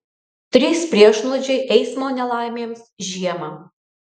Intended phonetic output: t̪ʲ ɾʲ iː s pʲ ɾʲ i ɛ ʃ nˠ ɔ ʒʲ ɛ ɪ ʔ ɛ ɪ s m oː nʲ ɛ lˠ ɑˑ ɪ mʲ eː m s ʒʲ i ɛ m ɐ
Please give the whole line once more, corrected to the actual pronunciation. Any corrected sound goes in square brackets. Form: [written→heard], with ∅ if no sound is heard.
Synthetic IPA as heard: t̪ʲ ɾʲ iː s pʲ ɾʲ i ɛ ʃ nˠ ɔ [ʒʲ→d͡ʒʲ] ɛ ɪ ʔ ɛ ɪ s m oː nʲ ɛ lˠ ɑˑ ɪ mʲ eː m s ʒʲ i ɛ m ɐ

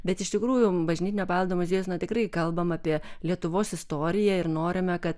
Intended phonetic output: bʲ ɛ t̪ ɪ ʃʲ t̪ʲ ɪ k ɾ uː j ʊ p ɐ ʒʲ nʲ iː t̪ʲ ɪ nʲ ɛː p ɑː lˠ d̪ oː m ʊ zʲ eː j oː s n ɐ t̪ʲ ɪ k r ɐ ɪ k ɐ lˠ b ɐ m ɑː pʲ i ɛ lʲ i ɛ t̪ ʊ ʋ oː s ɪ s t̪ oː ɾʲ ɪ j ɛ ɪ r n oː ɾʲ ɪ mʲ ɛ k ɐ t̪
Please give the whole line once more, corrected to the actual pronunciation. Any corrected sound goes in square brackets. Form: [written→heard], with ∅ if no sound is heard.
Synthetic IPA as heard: bʲ ɛ t̪ ɪ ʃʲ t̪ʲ ɪ k ɾ uː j ʊ [p→b] ɐ ʒʲ nʲ iː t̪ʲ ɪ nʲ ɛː p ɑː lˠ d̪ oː m ʊ zʲ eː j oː s n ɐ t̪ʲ ɪ k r ɐ ɪ k ɐ lˠ b ɐ m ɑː pʲ i ɛ lʲ i ɛ t̪ ʊ ʋ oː s ɪ s t̪ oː ɾʲ ɪ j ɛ ɪ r n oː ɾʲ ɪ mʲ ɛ k ɐ t̪

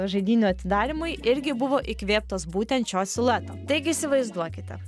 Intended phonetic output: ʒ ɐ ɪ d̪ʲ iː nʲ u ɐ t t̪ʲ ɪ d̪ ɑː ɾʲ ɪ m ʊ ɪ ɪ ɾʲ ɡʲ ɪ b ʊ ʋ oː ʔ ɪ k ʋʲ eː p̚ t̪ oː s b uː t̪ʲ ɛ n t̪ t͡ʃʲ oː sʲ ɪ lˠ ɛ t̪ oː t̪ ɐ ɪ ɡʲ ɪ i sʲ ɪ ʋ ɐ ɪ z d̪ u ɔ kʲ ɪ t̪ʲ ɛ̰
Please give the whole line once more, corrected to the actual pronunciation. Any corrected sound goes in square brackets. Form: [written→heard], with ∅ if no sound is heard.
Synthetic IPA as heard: ʒ ɐ ɪ d̪ʲ iː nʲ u ɐ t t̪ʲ ɪ d̪ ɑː ɾʲ ɪ m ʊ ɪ ɪ ɾʲ ɡʲ ɪ b ʊ ʋ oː ʔ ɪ k ʋʲ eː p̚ t̪ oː s b uː t̪ʲ ɛ n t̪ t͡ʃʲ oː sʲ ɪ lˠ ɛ t̪ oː t̪ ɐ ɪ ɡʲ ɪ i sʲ ɪ ʋ ɐ ɪ z d̪ u ɔ kʲ ɪ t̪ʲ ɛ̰

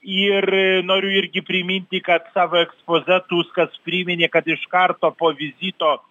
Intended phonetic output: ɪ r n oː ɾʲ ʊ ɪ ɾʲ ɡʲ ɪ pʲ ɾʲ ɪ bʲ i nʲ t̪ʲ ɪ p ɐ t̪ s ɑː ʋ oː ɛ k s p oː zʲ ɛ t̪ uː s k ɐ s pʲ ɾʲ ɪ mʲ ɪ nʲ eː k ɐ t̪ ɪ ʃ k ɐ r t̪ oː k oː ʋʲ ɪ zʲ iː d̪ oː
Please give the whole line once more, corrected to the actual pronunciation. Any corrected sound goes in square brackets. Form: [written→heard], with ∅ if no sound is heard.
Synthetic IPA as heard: ɪ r n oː ɾʲ ʊ ɪ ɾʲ ɡʲ ɪ pʲ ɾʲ ɪ [bʲ→mʲ] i nʲ t̪ʲ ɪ [p→k] ɐ t̪ s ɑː ʋ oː ɛ k s p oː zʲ ɛ t̪ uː s k ɐ s pʲ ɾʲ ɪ mʲ ɪ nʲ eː k ɐ t̪ ɪ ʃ k ɐ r t̪ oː [k→p] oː ʋʲ ɪ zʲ iː [d̪→t̪] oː

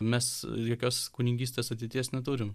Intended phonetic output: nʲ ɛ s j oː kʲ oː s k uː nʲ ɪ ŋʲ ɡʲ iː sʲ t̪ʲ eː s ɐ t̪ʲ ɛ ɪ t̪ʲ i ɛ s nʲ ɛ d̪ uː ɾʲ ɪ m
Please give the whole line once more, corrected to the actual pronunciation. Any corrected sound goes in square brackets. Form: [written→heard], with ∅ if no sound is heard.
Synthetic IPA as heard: [nʲ→mʲ] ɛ s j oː kʲ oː s k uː nʲ ɪ ŋʲ ɡʲ iː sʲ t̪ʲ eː s ɐ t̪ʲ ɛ ɪ t̪ʲ i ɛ s nʲ ɛ [d̪→t̪] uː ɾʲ ɪ m

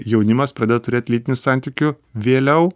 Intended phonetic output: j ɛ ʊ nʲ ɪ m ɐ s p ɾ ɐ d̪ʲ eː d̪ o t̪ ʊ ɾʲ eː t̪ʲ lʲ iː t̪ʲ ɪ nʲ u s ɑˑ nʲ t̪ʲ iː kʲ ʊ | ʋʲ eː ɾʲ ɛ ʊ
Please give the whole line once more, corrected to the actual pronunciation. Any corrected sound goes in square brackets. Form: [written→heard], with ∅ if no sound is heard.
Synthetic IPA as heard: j ɛ ʊ nʲ ɪ m ɐ s p ɾ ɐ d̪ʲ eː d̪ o t̪ ʊ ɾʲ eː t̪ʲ lʲ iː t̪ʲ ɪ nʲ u s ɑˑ nʲ t̪ʲ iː kʲ ʊ | ʋʲ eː [ɾʲ→lʲ] ɛ ʊ

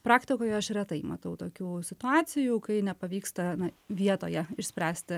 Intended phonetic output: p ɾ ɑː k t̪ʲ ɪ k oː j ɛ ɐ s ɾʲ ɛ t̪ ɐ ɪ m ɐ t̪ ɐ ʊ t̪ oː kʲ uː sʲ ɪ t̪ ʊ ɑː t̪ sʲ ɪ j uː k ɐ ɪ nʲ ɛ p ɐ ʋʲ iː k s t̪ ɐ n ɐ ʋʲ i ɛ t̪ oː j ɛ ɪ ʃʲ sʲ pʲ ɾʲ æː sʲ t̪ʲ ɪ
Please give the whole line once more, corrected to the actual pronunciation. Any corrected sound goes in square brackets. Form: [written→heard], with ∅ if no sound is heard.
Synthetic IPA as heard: p ɾ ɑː k t̪ʲ ɪ k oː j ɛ ɐ [s→ʃ] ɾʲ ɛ t̪ ɐ ɪ m ɐ t̪ ɐ ʊ t̪ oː kʲ uː sʲ ɪ t̪ ʊ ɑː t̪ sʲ ɪ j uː k ɐ ɪ nʲ ɛ p ɐ ʋʲ iː k s t̪ ɐ n ɐ ʋʲ i ɛ t̪ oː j ɛ ɪ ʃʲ sʲ pʲ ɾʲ æː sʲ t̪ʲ ɪ

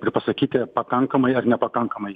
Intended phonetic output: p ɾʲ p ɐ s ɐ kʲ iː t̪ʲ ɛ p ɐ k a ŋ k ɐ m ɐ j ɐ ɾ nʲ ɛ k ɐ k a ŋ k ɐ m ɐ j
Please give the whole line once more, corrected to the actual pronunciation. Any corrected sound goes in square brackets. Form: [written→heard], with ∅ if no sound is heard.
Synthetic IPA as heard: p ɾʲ p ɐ s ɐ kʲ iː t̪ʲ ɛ p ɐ k a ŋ k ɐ m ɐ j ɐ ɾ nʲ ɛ [k→p] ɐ k a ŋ k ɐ m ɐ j

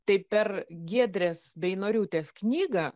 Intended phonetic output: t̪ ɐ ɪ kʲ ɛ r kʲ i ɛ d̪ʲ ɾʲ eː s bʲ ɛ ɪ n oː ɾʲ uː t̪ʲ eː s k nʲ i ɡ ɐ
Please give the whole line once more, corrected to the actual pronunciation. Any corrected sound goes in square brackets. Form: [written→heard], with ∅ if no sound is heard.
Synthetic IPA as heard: t̪ ɐ ɪ [kʲ→pʲ] ɛ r [kʲ→ɡʲ] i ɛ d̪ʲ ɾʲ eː s bʲ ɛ ɪ n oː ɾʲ uː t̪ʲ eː s k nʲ [i→iː] ɡ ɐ

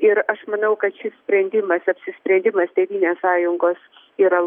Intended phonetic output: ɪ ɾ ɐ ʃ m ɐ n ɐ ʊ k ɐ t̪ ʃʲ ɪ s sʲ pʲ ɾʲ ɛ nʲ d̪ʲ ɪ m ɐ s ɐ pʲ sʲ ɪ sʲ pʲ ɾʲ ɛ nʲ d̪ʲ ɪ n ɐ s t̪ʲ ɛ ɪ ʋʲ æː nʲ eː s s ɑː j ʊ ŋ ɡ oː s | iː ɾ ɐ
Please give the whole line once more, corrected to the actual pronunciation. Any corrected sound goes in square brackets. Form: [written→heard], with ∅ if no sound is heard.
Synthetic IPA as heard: ɪ ɾ ɐ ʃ m ɐ n ɐ ʊ k ɐ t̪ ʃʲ ɪ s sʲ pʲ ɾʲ ɛ nʲ d̪ʲ ɪ m ɐ s ɐ pʲ sʲ ɪ sʲ pʲ ɾʲ ɛ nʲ d̪ʲ ɪ [n→m] ɐ s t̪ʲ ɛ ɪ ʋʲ [æː→iː] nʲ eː s s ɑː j ʊ ŋ ɡ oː s | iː ɾ ɐ

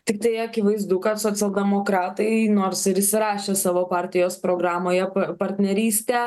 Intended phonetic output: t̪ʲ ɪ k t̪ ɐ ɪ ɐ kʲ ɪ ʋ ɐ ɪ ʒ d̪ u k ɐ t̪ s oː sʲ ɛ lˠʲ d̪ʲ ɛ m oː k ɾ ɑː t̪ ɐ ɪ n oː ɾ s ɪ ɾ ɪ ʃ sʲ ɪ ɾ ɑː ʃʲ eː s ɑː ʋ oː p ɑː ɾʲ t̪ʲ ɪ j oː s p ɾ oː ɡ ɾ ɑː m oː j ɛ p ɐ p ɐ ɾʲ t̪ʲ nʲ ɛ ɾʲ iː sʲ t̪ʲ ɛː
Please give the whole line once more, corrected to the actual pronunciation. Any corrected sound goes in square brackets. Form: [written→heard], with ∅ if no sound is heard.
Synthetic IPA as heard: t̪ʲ ɪ k t̪ ɐ ɪ ɐ kʲ ɪ ʋ ɐ ɪ [ʒ→z] d̪ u k ɐ t̪ s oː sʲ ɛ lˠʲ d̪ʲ ɛ m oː k ɾ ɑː t̪ ɐ ɪ n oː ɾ s ɪ ɾ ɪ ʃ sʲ ɪ ɾ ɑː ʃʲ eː s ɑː ʋ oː p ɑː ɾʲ t̪ʲ ɪ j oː s p ɾ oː ɡ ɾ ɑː m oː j ɛ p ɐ p ɐ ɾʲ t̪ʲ nʲ ɛ ɾʲ iː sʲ t̪ʲ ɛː

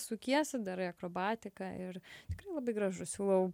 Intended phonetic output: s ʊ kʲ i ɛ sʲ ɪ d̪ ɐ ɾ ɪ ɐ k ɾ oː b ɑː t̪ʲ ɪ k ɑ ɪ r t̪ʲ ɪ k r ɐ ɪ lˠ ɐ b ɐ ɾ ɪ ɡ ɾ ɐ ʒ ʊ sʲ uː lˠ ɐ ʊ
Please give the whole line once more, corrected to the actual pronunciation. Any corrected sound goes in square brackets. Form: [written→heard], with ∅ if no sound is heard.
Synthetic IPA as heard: s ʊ kʲ i ɛ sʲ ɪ d̪ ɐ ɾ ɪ ɐ k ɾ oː b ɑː t̪ʲ ɪ k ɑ ɪ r t̪ʲ ɪ k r ɐ ɪ lˠ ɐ b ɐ [ɾ→∅] ɪ ɡ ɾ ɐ ʒ ʊ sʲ uː lˠ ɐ ʊ

